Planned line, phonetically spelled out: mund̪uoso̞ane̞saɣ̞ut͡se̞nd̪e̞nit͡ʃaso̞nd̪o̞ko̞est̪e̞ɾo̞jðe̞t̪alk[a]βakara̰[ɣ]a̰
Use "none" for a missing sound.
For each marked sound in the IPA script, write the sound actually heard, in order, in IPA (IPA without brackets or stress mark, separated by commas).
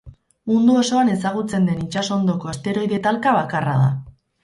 a, ð